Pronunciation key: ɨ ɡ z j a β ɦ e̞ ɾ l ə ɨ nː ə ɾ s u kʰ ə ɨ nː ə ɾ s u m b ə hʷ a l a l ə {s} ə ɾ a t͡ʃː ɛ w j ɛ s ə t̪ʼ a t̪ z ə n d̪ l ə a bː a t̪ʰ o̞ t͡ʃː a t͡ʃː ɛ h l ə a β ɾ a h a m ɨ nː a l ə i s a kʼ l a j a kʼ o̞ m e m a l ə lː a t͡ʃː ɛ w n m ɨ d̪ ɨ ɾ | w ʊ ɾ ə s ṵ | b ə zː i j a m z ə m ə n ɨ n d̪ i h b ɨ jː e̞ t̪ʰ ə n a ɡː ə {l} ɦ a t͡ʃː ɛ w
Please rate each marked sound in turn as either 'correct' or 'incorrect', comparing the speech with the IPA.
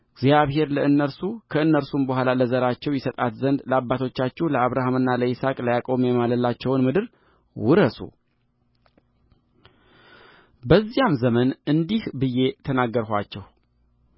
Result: incorrect: z, incorrect: ɾ

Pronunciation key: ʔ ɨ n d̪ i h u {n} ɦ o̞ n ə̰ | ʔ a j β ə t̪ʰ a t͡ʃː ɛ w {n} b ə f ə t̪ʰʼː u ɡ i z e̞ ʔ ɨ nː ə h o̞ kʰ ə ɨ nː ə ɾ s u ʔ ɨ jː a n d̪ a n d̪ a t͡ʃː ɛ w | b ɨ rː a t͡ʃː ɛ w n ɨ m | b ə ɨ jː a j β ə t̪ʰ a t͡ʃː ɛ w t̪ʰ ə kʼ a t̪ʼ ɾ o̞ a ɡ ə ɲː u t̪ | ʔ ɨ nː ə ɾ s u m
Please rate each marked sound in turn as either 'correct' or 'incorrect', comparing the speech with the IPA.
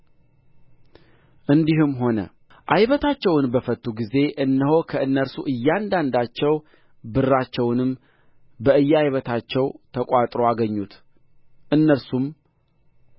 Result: incorrect: m, correct

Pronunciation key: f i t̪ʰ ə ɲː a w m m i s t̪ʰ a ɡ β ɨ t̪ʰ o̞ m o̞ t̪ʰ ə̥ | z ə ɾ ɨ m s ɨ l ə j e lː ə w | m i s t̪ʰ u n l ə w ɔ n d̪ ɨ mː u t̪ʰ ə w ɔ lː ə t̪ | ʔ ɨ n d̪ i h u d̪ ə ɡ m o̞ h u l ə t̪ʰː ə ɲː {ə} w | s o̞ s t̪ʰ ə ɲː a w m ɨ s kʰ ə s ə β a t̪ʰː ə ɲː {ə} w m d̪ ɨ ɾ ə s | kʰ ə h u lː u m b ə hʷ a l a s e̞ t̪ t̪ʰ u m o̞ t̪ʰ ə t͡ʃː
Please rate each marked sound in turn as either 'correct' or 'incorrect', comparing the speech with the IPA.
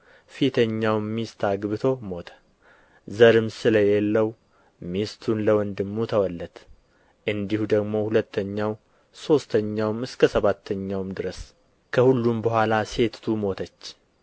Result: incorrect: a, incorrect: a

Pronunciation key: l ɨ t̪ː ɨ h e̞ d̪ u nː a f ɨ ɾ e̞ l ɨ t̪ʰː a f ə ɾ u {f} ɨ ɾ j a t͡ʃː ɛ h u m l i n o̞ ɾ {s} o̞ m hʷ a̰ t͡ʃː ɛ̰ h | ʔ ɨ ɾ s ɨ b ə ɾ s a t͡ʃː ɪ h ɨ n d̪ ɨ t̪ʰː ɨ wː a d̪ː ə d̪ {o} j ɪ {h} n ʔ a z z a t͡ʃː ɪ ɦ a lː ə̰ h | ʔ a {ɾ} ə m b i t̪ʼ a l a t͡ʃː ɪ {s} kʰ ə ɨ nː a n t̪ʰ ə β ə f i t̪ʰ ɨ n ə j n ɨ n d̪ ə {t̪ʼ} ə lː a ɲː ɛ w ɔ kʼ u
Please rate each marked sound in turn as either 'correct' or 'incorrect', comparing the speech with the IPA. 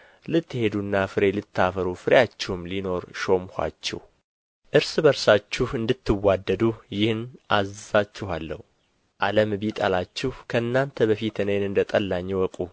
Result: correct, incorrect: ʃ, incorrect: u, correct, incorrect: l, incorrect: h, correct

